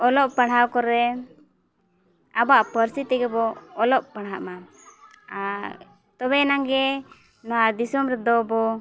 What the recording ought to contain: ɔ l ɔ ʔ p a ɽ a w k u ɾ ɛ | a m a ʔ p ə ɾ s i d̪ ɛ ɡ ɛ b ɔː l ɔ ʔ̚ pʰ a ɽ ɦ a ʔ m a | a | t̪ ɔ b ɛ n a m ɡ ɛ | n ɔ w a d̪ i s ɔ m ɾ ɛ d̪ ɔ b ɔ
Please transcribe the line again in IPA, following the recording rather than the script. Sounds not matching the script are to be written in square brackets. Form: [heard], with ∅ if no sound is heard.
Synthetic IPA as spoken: ɔ l ɔ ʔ p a ɽ a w k [ɔ] ɾ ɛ | a [b] a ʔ p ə ɾ s i [t̪] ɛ ɡ ɛ b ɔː l ɔ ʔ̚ [p] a ɽ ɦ a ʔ m a | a | t̪ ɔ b ɛ n a [ŋ] ɡ ɛ | n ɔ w a d̪ i s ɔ m ɾ ɛ d̪ ɔ b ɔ